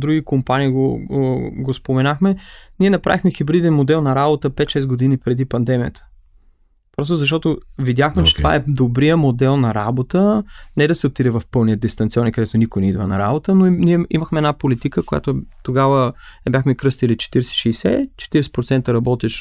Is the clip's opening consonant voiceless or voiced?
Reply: voiced